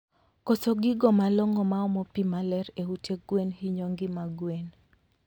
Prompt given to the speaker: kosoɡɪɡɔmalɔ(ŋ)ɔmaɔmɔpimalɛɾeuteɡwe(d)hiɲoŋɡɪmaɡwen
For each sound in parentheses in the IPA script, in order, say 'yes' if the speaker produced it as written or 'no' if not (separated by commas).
yes, no